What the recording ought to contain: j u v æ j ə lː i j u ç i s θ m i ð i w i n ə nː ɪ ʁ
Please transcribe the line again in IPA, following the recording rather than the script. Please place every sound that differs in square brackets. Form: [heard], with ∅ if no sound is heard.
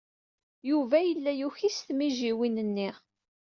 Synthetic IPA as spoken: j u v æ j ə lː [æ] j u ç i s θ m i [ʒ] i w i n ə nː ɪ ʁ